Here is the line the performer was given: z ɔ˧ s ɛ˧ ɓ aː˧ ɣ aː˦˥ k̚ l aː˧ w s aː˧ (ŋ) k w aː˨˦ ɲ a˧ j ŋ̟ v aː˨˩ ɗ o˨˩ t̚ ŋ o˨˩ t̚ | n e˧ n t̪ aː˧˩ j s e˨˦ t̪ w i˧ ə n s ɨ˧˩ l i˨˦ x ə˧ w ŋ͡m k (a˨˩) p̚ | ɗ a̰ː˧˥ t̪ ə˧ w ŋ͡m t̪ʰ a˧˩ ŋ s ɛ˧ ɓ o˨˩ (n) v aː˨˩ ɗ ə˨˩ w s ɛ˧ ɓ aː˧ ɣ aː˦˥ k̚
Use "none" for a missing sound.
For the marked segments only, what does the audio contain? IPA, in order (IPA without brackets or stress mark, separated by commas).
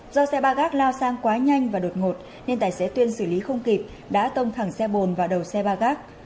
ŋ, i˨˩, n